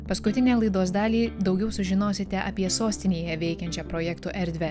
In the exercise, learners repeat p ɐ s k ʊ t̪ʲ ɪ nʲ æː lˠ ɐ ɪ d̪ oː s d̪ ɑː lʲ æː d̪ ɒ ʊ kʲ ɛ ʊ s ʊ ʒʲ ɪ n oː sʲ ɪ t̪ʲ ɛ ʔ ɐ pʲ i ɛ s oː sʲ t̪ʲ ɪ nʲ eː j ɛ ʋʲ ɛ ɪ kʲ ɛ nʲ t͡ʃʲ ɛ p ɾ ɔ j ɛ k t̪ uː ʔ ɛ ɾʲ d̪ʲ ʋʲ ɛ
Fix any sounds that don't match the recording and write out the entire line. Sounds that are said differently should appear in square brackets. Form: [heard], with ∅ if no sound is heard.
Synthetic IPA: p ɐ s k ʊ t̪ʲ ɪ nʲ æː lˠ ɐ ɪ d̪ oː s d̪ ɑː lʲ [iː] d̪ ɒ ʊ [ɡʲ] ɛ ʊ s ʊ ʒʲ ɪ n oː sʲ ɪ t̪ʲ ɛ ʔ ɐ pʲ i ɛ s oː sʲ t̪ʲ ɪ nʲ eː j ɛ ʋʲ ɛ ɪ kʲ ɛ nʲ t͡ʃʲ ɛ p ɾ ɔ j ɛ k t̪ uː ʔ ɛ ɾʲ d̪ʲ ʋʲ ɛ